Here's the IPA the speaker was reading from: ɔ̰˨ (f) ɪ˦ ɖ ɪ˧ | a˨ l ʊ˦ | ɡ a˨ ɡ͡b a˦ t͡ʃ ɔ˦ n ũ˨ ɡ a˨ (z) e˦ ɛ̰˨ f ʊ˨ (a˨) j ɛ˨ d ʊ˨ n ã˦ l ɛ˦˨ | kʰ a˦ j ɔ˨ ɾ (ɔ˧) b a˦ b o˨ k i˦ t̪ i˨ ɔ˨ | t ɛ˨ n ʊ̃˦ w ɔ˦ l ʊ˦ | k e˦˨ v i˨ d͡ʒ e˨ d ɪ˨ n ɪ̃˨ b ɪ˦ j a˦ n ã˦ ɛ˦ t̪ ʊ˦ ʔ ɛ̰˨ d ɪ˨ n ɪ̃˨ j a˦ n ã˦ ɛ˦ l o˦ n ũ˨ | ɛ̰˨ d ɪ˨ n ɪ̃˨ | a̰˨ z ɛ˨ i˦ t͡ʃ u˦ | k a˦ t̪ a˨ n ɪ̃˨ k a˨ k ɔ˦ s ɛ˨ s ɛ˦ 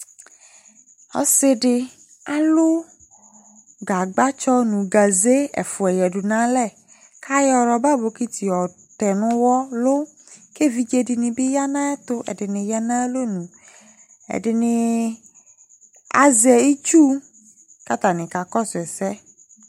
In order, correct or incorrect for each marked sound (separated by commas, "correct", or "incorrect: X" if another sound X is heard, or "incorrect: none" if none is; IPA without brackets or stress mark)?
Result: incorrect: s, correct, incorrect: ɛ˨, correct